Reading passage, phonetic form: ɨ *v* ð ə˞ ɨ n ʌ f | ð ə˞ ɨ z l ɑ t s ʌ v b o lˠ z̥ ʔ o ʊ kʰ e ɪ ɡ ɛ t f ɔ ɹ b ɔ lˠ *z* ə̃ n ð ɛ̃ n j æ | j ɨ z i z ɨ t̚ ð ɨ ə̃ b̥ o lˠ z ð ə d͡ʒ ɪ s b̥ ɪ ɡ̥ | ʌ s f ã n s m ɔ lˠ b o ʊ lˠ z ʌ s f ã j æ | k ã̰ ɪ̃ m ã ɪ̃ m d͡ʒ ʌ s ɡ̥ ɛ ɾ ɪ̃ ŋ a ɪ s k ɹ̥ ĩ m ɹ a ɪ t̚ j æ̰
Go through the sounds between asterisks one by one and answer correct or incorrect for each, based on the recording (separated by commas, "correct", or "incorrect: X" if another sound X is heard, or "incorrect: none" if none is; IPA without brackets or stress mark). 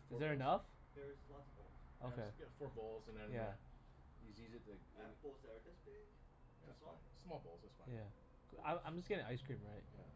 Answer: incorrect: z, correct